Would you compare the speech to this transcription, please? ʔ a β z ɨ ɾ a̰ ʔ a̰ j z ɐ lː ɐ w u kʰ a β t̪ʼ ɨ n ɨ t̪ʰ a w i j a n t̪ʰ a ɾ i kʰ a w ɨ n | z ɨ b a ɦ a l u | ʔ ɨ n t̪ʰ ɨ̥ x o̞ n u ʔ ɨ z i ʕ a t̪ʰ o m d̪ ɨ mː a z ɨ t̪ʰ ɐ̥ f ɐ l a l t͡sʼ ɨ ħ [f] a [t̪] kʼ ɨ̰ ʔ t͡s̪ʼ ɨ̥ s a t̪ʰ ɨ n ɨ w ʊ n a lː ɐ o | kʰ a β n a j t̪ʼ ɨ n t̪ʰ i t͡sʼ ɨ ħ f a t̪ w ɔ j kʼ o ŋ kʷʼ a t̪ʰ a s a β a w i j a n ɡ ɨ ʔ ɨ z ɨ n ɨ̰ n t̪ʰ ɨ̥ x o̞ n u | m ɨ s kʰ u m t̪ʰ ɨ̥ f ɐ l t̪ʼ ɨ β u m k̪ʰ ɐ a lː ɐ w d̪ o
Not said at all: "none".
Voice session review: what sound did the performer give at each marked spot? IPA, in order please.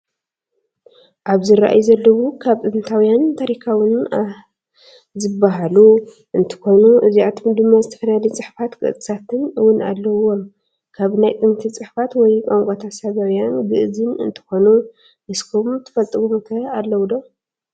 f, t̪

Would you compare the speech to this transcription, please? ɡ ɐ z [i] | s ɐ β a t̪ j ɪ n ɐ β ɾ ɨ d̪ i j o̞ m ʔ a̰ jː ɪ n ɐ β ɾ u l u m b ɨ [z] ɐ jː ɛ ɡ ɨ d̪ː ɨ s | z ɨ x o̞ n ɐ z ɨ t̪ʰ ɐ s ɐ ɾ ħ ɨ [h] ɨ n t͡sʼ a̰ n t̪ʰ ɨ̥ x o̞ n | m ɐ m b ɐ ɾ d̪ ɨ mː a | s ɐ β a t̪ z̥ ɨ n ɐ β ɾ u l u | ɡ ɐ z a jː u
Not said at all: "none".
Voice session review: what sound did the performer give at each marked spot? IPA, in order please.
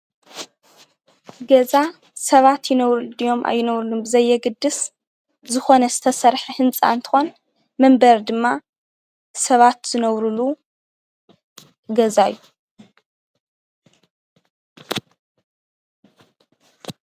a, z, h

